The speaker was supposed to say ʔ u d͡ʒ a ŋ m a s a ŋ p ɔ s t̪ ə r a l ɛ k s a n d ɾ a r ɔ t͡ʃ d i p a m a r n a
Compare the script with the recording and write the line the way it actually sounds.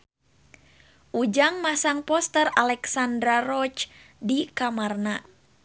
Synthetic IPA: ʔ u d͡ʒ a ŋ m a s a ŋ p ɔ s t̪ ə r a l ɛ k s a n d ɾ a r ɔ t͡ʃ d i k a m a r n a